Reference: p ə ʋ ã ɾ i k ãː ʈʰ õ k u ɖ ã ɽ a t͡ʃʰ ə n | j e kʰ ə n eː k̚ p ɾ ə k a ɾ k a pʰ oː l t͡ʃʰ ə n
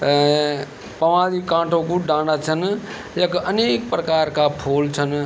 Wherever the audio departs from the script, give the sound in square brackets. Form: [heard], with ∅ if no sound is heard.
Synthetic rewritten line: p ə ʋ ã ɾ i k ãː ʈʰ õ k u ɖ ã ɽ a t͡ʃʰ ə n | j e [k] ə n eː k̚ p ɾ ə k a ɾ k a pʰ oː l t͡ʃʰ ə n